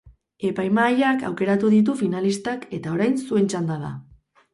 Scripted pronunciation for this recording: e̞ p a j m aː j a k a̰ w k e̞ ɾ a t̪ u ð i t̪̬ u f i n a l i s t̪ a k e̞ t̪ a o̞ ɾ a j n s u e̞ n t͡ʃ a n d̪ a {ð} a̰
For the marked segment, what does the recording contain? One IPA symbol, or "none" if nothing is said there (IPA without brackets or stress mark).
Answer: ð